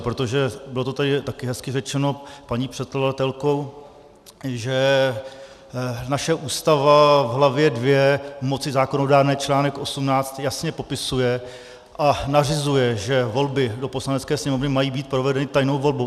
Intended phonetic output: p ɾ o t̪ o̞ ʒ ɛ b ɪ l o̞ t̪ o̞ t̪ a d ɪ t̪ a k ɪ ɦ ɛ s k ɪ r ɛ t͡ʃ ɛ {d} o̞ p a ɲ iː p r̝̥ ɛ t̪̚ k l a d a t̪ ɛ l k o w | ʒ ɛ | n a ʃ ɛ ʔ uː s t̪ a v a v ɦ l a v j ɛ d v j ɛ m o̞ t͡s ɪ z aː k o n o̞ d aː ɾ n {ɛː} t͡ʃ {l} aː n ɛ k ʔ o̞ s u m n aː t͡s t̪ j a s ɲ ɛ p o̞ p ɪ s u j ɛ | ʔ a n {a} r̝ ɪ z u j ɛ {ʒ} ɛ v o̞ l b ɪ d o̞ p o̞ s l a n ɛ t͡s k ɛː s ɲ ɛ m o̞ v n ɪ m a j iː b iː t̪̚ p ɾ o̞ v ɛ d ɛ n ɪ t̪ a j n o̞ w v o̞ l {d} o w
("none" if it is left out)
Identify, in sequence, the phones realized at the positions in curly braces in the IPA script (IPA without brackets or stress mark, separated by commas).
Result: n, ɛː, l, a, ʒ, b